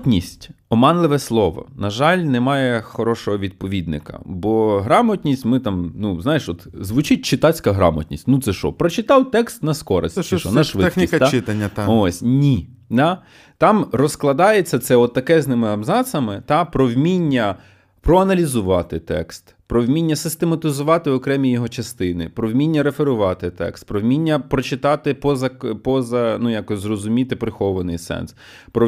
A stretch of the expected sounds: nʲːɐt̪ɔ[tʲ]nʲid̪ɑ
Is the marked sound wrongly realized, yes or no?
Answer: yes